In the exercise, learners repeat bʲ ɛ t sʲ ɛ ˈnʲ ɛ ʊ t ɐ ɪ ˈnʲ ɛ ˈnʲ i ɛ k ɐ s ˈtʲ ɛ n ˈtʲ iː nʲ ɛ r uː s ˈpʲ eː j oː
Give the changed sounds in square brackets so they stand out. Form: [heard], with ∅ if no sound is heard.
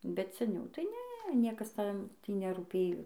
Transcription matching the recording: bʲ ɛ t sʲ ɛ ˈnʲ ɛ ʊ t ɐ ɪ ˈnʲ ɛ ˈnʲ i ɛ k ɐ s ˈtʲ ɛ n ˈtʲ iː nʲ ɛ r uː [∅] ˈpʲ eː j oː